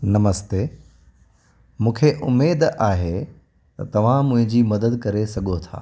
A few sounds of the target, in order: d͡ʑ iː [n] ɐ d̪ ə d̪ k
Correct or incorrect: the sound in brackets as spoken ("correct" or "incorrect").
incorrect